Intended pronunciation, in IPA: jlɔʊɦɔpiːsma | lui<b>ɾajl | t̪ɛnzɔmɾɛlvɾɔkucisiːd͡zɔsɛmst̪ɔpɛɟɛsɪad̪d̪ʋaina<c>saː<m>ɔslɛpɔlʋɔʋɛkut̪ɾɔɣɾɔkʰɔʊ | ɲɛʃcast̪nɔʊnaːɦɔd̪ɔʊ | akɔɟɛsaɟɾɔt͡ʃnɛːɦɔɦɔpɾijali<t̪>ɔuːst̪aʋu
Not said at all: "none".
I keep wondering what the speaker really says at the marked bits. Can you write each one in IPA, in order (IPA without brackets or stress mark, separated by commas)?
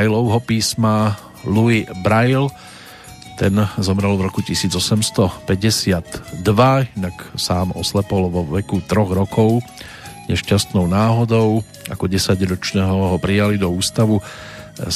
b, k, m, d̪